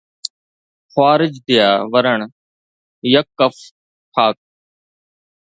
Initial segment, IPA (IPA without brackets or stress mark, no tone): x